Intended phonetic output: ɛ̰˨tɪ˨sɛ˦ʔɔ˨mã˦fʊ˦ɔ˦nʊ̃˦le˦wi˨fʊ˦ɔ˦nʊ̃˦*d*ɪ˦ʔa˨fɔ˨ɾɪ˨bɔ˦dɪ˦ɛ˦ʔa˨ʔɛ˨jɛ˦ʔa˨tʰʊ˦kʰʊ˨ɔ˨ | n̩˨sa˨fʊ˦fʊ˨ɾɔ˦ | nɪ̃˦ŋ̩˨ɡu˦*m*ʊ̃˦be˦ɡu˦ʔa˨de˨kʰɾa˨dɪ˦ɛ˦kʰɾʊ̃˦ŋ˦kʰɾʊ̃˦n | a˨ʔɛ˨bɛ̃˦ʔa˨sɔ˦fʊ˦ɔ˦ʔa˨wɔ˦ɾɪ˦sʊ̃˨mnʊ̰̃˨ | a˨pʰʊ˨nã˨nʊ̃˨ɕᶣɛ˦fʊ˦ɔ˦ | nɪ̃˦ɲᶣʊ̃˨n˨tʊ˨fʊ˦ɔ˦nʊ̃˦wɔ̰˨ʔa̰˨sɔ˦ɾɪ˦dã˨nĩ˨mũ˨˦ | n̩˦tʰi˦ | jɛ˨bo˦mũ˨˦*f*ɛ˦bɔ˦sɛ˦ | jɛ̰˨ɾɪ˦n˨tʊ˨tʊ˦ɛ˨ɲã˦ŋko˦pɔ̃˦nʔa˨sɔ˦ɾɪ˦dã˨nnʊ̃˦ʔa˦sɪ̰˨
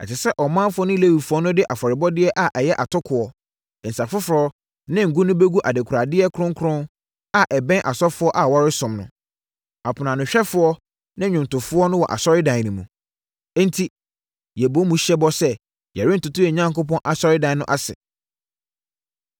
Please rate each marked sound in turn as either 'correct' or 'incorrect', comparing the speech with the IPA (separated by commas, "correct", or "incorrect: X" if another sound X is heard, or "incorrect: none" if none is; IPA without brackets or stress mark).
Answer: correct, incorrect: n, incorrect: ɕ